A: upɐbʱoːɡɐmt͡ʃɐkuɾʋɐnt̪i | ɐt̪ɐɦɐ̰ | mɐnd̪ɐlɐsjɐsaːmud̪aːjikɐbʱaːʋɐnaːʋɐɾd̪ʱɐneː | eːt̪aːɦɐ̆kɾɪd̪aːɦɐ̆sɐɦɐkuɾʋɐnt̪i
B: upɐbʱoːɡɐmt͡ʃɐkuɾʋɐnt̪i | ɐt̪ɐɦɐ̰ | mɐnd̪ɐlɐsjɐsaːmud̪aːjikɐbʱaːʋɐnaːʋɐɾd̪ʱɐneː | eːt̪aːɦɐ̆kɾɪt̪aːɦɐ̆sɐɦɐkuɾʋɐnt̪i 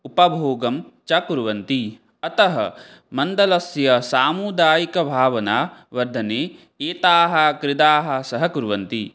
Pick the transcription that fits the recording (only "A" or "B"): A